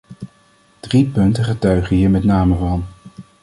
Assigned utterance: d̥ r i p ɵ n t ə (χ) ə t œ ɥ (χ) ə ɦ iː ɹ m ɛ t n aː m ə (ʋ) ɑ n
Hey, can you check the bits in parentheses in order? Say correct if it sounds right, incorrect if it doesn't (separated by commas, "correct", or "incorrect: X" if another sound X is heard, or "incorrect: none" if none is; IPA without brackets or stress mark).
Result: correct, correct, incorrect: v